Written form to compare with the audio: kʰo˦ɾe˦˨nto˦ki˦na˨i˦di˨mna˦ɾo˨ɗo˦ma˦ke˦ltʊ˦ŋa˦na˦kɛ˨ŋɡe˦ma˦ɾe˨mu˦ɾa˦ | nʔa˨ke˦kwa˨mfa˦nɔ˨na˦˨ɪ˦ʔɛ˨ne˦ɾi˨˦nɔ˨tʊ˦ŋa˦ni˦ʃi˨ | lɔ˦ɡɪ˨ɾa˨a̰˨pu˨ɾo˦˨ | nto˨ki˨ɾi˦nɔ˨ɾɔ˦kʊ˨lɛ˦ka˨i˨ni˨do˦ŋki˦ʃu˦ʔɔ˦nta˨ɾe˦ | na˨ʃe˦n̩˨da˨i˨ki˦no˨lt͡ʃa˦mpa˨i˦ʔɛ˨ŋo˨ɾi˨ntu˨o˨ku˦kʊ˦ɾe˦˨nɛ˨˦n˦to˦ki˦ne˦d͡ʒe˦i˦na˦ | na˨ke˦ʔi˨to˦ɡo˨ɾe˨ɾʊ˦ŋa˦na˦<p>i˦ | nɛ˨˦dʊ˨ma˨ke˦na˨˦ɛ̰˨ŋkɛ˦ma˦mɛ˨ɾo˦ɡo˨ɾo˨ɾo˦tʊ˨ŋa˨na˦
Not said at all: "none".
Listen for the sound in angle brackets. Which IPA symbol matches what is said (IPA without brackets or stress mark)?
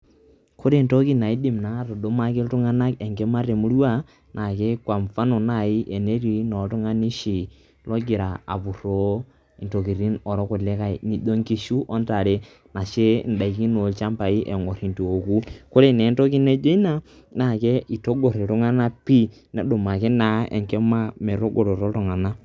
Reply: p